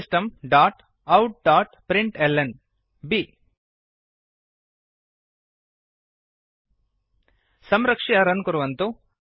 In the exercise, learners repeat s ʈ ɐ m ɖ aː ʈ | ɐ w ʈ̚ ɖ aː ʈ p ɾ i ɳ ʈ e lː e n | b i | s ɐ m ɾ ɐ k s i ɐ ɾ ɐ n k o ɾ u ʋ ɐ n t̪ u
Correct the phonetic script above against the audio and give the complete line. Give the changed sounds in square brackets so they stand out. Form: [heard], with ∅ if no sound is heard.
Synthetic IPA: s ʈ ɐ m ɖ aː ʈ | ɐ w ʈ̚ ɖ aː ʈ p ɾ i ɳ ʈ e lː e n | b i | s ɐ m ɾ ɐ k [ʂ] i ɐ ɾ ɐ n k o ɾ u ʋ ɐ n t̪ u

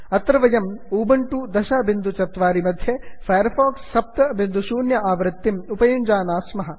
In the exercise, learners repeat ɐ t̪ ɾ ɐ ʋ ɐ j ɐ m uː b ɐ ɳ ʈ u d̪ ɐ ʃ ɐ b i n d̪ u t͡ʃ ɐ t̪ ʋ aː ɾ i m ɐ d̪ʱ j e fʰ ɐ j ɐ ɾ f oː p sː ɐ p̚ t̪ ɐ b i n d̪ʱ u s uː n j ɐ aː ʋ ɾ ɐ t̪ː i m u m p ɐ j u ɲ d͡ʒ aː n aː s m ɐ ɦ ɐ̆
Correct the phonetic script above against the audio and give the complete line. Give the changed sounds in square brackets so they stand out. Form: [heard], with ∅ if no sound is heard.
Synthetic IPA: ɐ t̪ ɾ ɐ ʋ ɐ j ɐ m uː b ɐ ɳ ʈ u d̪ ɐ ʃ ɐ b i n d̪ u t͡ʃ ɐ t̪ ʋ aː ɾ i m ɐ d̪ʱ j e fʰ ɐ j ɐ ɾ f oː [k] sː ɐ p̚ t̪ ɐ b i n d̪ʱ u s uː n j ɐ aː ʋ ɾ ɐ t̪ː i m u [∅] p ɐ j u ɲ d͡ʒ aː n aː s m ɐ ɦ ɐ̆

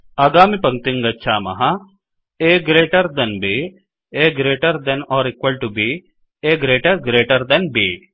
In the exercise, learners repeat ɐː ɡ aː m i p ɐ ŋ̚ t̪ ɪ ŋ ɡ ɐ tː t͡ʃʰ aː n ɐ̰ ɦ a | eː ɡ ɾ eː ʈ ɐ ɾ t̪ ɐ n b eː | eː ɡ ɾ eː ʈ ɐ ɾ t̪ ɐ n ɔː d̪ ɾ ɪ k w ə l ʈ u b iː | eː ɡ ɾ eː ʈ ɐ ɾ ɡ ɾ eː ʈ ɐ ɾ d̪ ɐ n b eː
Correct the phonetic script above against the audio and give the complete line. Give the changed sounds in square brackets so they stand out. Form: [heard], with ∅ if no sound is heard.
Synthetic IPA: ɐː ɡ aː m i p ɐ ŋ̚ t̪ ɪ ŋ ɡ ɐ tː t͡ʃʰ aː [m] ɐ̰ ɦ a | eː ɡ ɾ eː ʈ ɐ ɾ [d̪] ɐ n b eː | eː ɡ ɾ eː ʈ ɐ ɾ [d̪] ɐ n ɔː [∅] ɾ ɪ k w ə l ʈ u b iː | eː ɡ ɾ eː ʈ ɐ ɾ ɡ ɾ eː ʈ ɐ ɾ d̪ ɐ n b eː

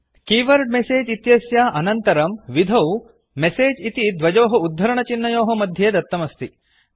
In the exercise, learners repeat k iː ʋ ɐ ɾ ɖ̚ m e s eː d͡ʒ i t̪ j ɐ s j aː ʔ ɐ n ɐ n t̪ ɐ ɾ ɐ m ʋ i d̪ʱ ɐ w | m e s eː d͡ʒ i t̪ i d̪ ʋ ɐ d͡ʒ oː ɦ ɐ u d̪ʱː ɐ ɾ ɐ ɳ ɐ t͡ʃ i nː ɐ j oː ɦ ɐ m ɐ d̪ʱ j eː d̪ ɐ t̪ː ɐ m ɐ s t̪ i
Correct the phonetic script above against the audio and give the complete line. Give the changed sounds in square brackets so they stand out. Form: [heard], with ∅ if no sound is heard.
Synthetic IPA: k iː ʋ ɐ ɾ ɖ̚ m e s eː d͡ʒ i t̪ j ɐ s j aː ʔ ɐ n ɐ n t̪ ɐ ɾ ɐ m ʋ i d̪ʱ ɐ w | m e s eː d͡ʒ i t̪ i d̪ ʋ ɐ d͡ʒ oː ɦ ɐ u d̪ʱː ɐ ɾ ɐ ɳ ɐ t͡ʃ i nː ɐ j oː ɦ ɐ m ɐ d̪ʱ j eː d̪ ɐ t̪ː ɐ m ɐ s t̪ i

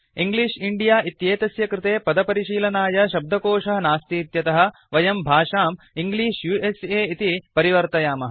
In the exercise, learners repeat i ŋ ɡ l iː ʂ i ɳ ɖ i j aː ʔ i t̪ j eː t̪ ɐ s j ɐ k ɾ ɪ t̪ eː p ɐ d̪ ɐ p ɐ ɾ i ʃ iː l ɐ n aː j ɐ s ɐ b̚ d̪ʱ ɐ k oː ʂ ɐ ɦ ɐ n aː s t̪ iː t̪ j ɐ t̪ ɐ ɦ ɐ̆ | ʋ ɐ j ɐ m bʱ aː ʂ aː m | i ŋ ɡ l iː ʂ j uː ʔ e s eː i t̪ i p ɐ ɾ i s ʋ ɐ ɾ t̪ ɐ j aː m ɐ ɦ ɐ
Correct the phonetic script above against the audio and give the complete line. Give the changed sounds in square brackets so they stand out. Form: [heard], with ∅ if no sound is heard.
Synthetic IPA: i ŋ ɡ l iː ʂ i ɳ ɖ i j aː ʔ i t̪ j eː t̪ ɐ s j ɐ k ɾ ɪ t̪ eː p ɐ d̪ ɐ p ɐ ɾ i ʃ iː l ɐ n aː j ɐ [ʃ] ɐ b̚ d̪ʱ ɐ k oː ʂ ɐ ɦ ɐ n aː s t̪ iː t̪ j ɐ t̪ ɐ ɦ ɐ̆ | ʋ ɐ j ɐ m bʱ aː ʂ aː m | i ŋ ɡ l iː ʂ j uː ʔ e s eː i t̪ i p ɐ ɾ i [∅] ʋ ɐ ɾ t̪ ɐ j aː m ɐ ɦ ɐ

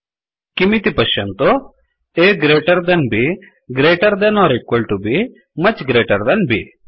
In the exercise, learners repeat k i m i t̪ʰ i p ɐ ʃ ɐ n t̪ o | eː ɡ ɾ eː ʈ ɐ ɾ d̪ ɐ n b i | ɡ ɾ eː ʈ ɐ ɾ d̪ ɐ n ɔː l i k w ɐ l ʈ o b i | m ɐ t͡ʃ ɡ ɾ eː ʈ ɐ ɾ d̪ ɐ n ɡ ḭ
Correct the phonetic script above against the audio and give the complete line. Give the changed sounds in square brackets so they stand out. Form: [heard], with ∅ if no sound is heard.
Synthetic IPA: k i m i [t̪] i p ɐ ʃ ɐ n t̪ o | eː ɡ ɾ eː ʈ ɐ ɾ d̪ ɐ n b i | ɡ ɾ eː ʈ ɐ ɾ d̪ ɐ n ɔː [ɾ] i k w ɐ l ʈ [u] b i | m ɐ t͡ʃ ɡ ɾ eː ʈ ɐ ɾ d̪ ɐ n [b] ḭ

